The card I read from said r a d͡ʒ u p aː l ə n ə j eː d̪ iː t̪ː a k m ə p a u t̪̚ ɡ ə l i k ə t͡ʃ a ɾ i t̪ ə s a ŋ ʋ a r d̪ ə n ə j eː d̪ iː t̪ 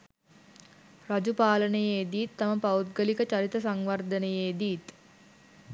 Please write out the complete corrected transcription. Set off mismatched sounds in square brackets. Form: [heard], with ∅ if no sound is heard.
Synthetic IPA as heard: r a d͡ʒ u p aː l ə n ə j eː d̪ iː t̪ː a [∅] m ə p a u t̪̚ ɡ ə l i k ə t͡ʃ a ɾ i t̪ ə s a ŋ ʋ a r d̪ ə n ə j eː d̪ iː t̪

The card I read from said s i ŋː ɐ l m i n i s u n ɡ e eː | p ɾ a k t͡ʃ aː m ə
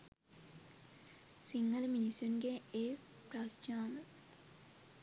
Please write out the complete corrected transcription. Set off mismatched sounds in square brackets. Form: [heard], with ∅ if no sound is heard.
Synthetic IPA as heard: s i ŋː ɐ l m i n i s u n ɡ e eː | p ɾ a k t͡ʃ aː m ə

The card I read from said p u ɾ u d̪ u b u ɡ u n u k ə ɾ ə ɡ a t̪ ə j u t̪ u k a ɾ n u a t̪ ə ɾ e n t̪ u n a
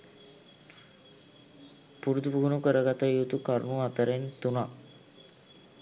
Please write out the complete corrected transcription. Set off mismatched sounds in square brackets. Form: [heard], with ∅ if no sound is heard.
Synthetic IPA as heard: p u ɾ u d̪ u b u ɡ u n u k ə ɾ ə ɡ a t̪ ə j u t̪ u k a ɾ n u a t̪ ə ɾ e n t̪ u n a

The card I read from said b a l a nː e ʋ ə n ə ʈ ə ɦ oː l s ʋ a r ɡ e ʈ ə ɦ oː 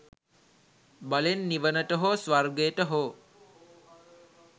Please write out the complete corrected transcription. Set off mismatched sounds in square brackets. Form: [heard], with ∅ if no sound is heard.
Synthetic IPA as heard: b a l [e] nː [i] ʋ ə n ə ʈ ə ɦ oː [∅] s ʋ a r ɡ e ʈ ə ɦ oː

